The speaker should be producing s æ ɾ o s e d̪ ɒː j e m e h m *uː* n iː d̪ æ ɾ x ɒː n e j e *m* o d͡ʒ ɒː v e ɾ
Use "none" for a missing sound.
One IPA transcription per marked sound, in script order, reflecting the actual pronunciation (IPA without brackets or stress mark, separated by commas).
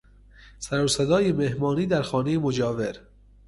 ɒː, m